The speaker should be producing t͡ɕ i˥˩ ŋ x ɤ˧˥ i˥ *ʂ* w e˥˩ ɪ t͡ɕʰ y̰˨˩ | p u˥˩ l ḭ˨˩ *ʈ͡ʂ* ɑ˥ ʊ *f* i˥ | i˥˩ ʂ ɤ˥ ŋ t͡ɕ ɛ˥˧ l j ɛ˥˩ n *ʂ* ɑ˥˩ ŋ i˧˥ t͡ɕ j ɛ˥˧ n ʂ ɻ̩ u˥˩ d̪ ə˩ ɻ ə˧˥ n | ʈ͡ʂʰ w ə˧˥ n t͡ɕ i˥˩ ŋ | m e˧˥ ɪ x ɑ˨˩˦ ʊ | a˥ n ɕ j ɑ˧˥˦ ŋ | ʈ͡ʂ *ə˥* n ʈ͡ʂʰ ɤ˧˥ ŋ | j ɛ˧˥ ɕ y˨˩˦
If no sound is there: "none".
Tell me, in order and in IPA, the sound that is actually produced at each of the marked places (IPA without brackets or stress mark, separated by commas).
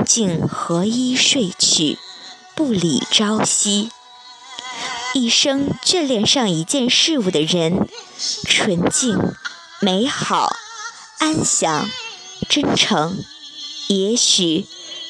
ʂ, ʈ͡ʂ, ɕ, ʂ, ə˥